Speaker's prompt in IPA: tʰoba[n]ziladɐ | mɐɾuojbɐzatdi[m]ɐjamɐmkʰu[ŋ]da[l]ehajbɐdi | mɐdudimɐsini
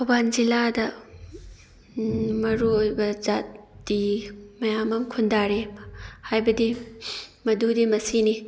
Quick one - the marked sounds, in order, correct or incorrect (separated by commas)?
correct, correct, incorrect, incorrect